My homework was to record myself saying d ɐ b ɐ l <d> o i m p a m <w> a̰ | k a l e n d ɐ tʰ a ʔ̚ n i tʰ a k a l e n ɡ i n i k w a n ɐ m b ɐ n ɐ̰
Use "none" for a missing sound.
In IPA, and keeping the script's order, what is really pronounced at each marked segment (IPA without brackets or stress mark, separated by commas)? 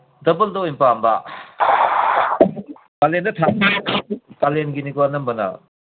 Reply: d, b